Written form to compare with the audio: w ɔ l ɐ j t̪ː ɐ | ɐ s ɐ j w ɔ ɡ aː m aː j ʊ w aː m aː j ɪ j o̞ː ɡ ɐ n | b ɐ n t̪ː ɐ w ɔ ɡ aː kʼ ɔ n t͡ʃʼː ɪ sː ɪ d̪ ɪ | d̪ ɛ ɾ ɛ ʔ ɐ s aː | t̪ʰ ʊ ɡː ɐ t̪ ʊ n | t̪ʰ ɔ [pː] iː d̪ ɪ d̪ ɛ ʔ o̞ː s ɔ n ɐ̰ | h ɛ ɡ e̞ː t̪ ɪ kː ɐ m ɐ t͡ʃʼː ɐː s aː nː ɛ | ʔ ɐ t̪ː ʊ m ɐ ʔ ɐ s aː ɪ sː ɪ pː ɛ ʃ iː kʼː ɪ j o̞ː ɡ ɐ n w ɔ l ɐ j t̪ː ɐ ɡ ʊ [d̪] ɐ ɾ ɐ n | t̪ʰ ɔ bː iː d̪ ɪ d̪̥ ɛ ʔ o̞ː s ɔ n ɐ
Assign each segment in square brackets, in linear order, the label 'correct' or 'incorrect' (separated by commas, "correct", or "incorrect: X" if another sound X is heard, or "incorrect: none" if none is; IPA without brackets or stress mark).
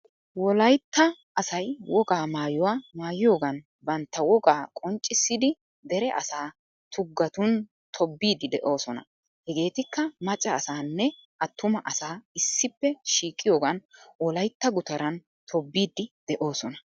incorrect: bː, incorrect: t̪